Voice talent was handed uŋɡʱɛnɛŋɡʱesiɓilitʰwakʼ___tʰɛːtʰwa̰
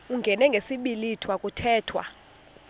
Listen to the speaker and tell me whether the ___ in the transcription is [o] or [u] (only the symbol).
u